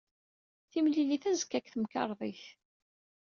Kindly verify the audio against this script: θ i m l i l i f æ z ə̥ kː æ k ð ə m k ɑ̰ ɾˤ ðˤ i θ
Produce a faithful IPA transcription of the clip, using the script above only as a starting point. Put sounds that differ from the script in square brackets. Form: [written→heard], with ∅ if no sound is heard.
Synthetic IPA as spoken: θ i m l i l i [f→θ] æ z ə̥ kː æ k [ð→θ] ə m k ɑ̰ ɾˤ ðˤ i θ